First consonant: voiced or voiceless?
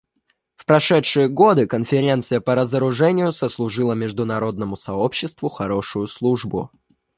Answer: voiceless